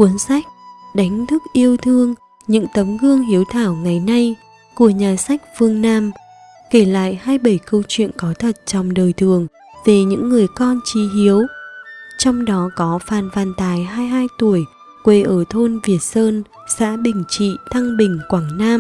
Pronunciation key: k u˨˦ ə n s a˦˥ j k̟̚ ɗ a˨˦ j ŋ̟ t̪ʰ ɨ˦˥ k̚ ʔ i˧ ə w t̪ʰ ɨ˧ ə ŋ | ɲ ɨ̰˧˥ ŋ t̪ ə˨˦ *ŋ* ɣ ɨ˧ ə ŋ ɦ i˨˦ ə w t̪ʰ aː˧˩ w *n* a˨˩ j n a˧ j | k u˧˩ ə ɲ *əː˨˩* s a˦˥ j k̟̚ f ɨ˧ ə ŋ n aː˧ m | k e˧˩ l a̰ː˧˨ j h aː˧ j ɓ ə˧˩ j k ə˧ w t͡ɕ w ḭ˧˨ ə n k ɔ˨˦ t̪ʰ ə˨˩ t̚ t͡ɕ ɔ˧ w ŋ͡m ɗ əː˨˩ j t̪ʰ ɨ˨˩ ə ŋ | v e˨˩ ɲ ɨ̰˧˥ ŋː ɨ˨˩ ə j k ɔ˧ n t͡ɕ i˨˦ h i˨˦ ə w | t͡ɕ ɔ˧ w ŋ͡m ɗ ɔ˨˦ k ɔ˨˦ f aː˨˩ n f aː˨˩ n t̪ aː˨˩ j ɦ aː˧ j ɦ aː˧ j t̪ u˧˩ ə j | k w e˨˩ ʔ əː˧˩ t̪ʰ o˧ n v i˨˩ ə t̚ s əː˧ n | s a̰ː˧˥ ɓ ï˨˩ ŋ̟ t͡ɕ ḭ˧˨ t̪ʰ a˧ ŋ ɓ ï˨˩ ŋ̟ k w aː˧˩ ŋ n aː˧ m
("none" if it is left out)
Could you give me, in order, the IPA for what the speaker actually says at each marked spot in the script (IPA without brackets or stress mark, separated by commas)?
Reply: m, ŋ, aː˨˩